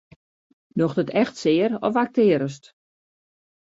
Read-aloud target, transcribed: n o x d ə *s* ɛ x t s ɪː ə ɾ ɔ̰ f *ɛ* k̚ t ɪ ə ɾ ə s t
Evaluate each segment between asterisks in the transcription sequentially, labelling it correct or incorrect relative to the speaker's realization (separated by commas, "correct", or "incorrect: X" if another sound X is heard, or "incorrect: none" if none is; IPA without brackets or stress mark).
incorrect: t, incorrect: a